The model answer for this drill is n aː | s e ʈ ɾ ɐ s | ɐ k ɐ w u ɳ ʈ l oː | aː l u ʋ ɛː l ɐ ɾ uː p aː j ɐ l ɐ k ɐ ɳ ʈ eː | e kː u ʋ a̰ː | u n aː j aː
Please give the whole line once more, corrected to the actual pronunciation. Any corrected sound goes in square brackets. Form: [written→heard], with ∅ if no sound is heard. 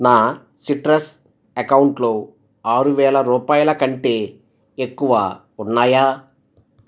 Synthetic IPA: n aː | s [e→i] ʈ ɾ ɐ s | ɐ k ɐ w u ɳ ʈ l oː | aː [l→ɾ] u ʋ ɛː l ɐ ɾ uː p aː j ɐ l ɐ k ɐ ɳ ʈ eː | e kː u ʋ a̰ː | u [n→nː] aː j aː

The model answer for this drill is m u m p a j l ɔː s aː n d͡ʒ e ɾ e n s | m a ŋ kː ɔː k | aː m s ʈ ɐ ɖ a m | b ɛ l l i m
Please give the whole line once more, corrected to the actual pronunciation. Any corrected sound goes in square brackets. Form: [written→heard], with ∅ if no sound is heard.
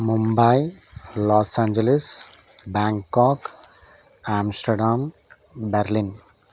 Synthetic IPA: m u m [p→b] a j l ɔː s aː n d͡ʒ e [ɾ→l] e [n→∅] s | [m→b] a ŋ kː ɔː k | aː m s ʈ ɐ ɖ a m | b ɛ [l→ɾ] l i [m→n]

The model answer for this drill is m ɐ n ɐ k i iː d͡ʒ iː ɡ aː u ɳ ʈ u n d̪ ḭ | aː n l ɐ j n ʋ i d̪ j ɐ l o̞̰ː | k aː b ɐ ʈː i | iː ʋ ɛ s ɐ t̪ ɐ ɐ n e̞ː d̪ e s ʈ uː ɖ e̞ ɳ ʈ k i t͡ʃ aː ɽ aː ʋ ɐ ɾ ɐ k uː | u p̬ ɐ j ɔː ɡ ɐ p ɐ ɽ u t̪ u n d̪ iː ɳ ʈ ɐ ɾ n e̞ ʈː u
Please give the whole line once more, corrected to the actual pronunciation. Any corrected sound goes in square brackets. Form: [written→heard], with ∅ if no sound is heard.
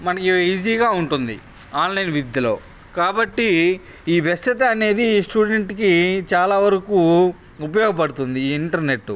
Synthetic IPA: m ɐ n ɐ k i iː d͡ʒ iː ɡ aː u ɳ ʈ u n d̪ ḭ | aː n l ɐ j n ʋ i d̪ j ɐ l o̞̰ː | k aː b ɐ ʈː i | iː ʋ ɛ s ɐ t̪ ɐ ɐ n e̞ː d̪ [e→i] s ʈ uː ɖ e̞ ɳ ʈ k i t͡ʃ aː [ɽ→l] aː ʋ ɐ ɾ ɐ k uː | u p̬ ɐ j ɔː ɡ ɐ p ɐ ɽ u t̪ u n d̪ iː ɳ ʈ ɐ ɾ n e̞ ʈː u

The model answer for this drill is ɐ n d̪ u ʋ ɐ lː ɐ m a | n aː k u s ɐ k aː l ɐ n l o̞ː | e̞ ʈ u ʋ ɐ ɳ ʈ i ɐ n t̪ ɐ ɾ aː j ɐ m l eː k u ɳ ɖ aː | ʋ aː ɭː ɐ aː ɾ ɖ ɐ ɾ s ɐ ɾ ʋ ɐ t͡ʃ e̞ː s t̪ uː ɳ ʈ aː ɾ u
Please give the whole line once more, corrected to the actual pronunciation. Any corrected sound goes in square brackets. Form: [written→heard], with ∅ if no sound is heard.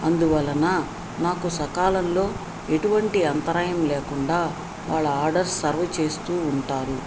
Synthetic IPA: ɐ n d̪ u ʋ ɐ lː ɐ [m→n] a | n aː k u s ɐ k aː l ɐ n l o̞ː | e̞ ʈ u ʋ ɐ ɳ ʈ i ɐ n t̪ ɐ ɾ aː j ɐ m l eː k u ɳ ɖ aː | ʋ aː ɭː ɐ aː ɾ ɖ ɐ ɾ s ɐ ɾ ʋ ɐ t͡ʃ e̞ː s t̪ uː ɳ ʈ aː ɾ u

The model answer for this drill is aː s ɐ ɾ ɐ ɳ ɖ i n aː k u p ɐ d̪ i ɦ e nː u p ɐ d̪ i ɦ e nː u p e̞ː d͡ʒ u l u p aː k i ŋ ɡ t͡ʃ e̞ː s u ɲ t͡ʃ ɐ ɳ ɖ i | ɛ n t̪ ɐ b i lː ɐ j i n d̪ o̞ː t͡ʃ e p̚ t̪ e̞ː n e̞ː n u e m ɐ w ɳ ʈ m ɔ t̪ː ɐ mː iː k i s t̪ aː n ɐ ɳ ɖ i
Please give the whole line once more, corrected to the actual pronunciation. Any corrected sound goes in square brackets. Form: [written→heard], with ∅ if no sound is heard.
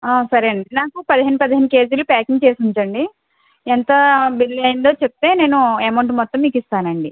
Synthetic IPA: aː s ɐ ɾ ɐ ɳ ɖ i n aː k u p ɐ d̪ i ɦ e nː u p ɐ d̪ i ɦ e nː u [p→k] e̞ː d͡ʒ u l u p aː k i ŋ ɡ t͡ʃ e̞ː s u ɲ t͡ʃ ɐ ɳ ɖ i | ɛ n t̪ ɐ b i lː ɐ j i n d̪ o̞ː t͡ʃ e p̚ t̪ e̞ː n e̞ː n u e m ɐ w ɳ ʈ m ɔ t̪ː ɐ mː iː k i s t̪ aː n ɐ ɳ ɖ i

